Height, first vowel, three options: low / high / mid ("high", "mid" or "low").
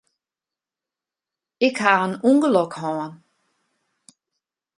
high